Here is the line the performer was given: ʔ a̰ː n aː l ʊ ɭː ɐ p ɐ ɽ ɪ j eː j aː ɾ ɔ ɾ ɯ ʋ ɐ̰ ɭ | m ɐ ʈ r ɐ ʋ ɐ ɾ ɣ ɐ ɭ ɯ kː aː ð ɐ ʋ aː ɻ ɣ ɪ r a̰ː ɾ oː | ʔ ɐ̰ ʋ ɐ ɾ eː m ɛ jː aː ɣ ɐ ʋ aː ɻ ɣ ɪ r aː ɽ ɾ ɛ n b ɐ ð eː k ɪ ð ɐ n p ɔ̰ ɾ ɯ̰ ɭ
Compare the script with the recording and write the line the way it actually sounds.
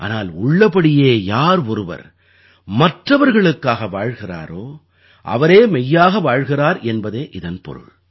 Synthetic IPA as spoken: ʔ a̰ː n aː l ʊ ɭː ɐ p ɐ ɽ ɪ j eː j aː ɾ ɔ ɾ ɯ ʋ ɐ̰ ɾ | m ɐ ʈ r ɐ ʋ ɐ ɾ ɣ ɐ ɭ ɯ kː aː ɣ ɐ ʋ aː ɻ ɣ ɪ r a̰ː ɾ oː | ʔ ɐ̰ ʋ ɐ ɾ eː m ɛ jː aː ɣ ɐ ʋ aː ɻ ɣ ɪ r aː ɾ ɛ n b ɐ ð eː ʔ ɪ ð ɐ n p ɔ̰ ɾ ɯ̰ ɭ

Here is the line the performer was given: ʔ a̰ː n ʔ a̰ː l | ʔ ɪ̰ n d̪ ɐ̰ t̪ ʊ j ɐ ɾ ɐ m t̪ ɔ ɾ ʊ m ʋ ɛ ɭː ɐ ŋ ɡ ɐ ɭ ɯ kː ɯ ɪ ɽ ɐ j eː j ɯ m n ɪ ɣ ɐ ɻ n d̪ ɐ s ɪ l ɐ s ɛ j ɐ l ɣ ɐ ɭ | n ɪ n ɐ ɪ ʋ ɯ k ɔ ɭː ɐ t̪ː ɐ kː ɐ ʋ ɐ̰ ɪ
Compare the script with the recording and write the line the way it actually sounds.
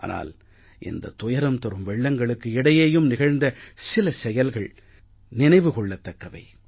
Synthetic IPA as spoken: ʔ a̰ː n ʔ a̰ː l | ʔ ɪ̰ n d̪ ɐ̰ t̪ ʊ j ɐ ɾ ɐ m t̪ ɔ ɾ ɯ m ʋ ɛ ɭː ɐ ŋ ɡ ɐ ɭ ɯ kː ɯ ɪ ɽ ɐ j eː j ɯ m n ɪ ɣ ɐ ɻ n d̪ ɐ s ɪ l ɐ s ɛ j ɐ l ɣ ɐ ɭ | n ɪ n ɐ ɪ ʋ ɯ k ɔ ɭː ɐ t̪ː ɐ kː ɐ ʋ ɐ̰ ɪ

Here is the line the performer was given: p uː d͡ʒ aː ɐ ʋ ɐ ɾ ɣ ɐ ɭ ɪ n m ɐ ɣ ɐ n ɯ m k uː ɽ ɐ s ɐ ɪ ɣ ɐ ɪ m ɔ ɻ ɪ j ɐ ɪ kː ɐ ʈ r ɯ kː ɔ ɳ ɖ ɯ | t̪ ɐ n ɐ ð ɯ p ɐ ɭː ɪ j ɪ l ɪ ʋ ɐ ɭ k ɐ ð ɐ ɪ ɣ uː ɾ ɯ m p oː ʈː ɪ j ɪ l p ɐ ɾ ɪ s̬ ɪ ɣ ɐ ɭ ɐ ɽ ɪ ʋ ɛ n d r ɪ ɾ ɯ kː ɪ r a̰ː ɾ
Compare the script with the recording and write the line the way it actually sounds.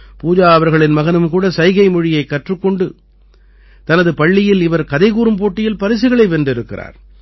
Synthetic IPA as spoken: p uː d͡ʒ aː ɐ ʋ ɐ ɾ ɣ ɐ ɭ ɪ n m ɐ ɣ ɐ n ɯ m k uː ɽ ɐ s ɐ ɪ ɣ ɐ ɪ m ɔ ɻ ɪ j ɐ ɪ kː ɐ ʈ r ɯ kː ɔ ɳ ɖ ɯ | t̪ ɐ n ɐ ð ɯ p ɐ ɭː ɪ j ɪ l ɪ ʋ ɐ ɾ k ɐ ð ɐ ɪ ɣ uː ɾ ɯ m p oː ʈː ɪ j ɪ l p ɐ ɾ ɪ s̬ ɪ ɣ ɐ ɭ ɐ ɪ ʋ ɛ n d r ɪ ɾ ɯ kː ɪ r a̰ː ɾ

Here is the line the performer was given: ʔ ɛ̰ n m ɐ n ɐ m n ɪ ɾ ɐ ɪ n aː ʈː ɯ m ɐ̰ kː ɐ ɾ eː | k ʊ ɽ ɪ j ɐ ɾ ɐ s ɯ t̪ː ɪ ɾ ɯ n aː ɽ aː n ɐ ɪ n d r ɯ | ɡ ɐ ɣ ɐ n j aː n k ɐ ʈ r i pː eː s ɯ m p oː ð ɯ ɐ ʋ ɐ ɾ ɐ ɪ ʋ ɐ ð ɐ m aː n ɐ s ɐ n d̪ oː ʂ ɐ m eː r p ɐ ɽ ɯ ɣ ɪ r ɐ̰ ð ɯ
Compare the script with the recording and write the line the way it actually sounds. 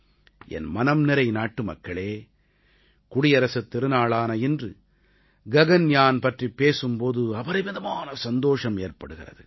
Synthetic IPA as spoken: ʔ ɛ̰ n m ɐ n ɐ m n ɪ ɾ ɐ ɪ n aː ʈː ɯ m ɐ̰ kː ɐ ɭ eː | k ʊ ɽ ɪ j ɐ ɾ ɐ s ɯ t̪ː ɪ ɾ ɯ n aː ɭ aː n ɐ ɪ n d r ɯ | ɡ ɐ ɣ ɐ n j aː n p ɐ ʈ r i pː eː s ɯ m p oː ð ɯ ɐ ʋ ɐ ɾ ɐ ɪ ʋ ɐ ð ɐ m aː n ɐ s ɐ n d̪ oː ʂ ɐ m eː r p ɐ ɽ ɯ ɣ ɪ r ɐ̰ ð ɯ

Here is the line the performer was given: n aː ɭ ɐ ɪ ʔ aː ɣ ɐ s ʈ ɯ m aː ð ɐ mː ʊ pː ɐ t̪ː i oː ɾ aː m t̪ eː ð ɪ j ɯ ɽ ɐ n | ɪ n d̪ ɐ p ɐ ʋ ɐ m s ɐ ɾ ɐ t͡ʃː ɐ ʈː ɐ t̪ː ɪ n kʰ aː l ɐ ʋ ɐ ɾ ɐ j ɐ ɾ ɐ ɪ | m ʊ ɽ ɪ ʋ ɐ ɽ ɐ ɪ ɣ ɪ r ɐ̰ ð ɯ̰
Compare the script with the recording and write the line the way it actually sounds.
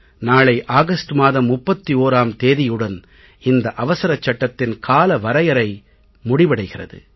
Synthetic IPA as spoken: n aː ɭ ɐ ɪ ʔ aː ɣ ɐ s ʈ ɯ m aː ð ɐ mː ʊ pː ɐ t̪ː i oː ɾ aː m t̪ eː ð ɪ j ɯ ɽ ɐ n | ɪ n d̪ ɐ ʔ ɐ ʋ ɐ s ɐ ɾ ɐ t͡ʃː ɐ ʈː ɐ t̪ː ɪ n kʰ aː l ɐ ʋ ɐ ɾ ɐ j ɐ ɾ ɐ ɪ | m ʊ ɽ ɪ ʋ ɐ ɽ ɐ ɪ ɣ ɪ r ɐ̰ ð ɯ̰

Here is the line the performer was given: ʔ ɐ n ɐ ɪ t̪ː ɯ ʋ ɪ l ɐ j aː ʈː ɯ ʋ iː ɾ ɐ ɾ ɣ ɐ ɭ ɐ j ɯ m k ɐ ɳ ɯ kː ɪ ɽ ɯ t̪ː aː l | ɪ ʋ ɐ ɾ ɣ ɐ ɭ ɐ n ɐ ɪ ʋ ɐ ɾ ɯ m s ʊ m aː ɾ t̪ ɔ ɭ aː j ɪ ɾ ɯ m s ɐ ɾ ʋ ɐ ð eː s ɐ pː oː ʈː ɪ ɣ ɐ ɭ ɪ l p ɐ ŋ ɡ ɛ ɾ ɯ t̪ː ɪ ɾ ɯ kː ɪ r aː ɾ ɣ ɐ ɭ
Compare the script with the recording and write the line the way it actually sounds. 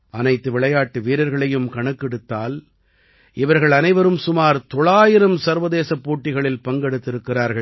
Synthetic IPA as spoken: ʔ ɐ n ɐ ɪ t̪ː ɯ ʋ ɪ ɭ ɐ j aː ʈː ɯ ʋ iː ɾ ɐ ɾ ɣ ɐ ɭ ɐ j ɯ m k ɐ ɳ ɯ kː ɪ ɽ ɯ t̪ː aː l | ɪ ʋ ɐ ɾ ɣ ɐ ɭ ɐ n ɐ ɪ ʋ ɐ ɾ ɯ m s ʊ m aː ɾ t̪ ɔ ɭ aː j ɪ ɾ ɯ m s ɐ ɾ ʋ ɐ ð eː s ɐ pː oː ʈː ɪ ɣ ɐ ɭ ɪ l p ɐ ŋ ɡ ɛ ɽ ɯ t̪ː ɪ ɾ ɯ kː ɪ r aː ɾ ɣ ɐ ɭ

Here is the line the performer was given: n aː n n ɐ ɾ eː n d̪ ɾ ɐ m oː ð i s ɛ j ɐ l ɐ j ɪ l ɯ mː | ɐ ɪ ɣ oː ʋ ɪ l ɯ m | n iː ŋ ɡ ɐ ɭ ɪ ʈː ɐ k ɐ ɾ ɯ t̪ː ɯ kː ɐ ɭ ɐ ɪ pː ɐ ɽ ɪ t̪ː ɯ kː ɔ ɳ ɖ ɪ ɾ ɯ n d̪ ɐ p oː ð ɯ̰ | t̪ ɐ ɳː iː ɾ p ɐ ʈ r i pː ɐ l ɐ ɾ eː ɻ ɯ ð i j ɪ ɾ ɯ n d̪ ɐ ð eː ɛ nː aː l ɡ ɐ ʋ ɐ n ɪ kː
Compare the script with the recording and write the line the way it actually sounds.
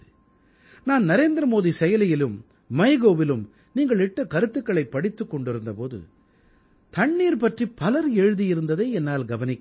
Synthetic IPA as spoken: n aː n n ɐ ɾ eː n d̪ ɾ ɐ m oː ð i s ɛ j ɐ l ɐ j ɪ l ɯ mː | ɐ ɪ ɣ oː ʋ ɪ l ɯ m | n iː ŋ ɡ ɐ ɭ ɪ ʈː ɐ k ɐ ɾ ɯ t̪ː ɯ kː ɐ ɭ ɐ ɪ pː ɐ ɽ ɪ t̪ː ɯ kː ɔ ɳ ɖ ɪ ɾ ɯ n d̪ ɐ p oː ð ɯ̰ | t̪ ɐ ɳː iː ɾ p ɐ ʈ r i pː ɐ l ɐ ɾ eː ɻ ɯ ð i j ɪ ɾ ɯ n d̪ ɐ ð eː ɛ nː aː l ɡ ɐ ʋ ɐ n ɪ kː

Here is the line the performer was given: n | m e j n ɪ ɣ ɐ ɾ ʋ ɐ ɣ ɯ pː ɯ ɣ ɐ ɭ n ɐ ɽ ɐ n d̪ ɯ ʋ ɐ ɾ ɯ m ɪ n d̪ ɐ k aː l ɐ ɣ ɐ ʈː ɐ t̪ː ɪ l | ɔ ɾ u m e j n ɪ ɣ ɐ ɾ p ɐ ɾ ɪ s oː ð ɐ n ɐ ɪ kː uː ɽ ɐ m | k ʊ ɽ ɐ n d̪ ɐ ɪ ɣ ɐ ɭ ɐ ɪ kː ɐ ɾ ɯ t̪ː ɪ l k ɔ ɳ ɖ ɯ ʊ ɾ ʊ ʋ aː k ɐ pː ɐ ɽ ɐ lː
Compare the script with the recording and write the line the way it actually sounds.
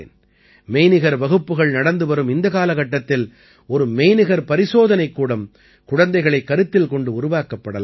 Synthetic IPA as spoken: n | m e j n ɪ ɣ ɐ ɾ ʋ ɐ ɣ ɯ pː ɯ ɣ ɐ ɭ n ɐ ɽ ɐ n d̪ ɯ ʋ ɐ ɾ ɯ m ɪ n d̪ ɐ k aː l ɐ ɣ ɐ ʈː ɐ t̪ː ɪ l | ɔ ɾ ɯ m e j n ɪ ɣ ɐ ɾ p ɐ ɾ ɪ s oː ð ɐ n ɐ ɪ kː uː ɽ ɐ m | k ʊ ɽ ɐ n d̪ ɐ ɪ ɣ ɐ ɭ ɐ ɪ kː ɐ ɾ ɯ t̪ː ɪ l k ɔ ɳ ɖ ɯ ʊ ɾ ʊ ʋ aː k ɐ pː ɐ ɽ ɐ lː

